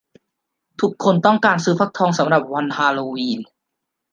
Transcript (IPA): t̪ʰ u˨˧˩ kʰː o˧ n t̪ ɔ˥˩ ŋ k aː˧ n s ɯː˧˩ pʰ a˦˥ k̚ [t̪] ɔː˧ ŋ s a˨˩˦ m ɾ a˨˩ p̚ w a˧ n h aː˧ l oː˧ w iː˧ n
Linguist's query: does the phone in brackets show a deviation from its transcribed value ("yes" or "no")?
yes